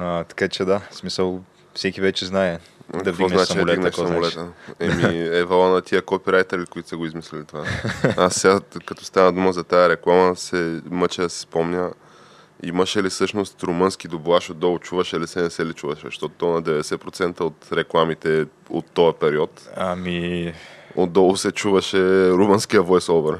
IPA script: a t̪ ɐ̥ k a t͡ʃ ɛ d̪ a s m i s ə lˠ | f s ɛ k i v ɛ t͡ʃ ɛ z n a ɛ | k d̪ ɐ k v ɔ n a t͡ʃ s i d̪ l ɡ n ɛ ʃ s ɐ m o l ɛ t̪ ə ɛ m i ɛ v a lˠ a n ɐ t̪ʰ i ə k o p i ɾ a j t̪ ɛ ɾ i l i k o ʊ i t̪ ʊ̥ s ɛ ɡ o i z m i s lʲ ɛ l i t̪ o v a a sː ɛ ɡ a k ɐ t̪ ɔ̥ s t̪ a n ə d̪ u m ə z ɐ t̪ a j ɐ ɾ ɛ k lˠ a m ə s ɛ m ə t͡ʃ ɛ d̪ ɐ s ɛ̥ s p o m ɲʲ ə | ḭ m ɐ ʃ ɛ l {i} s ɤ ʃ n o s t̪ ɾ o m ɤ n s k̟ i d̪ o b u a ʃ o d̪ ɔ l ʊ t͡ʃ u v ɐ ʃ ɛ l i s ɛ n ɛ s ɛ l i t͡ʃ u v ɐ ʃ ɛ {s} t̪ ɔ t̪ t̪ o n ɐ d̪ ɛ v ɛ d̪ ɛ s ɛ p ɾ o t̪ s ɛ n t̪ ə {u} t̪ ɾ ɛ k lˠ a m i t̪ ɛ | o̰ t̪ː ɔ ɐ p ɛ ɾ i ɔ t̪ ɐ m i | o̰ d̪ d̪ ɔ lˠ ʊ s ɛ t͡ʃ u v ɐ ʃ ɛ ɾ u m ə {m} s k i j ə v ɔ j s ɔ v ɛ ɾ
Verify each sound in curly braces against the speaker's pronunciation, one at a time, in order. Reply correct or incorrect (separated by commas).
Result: correct, incorrect, incorrect, incorrect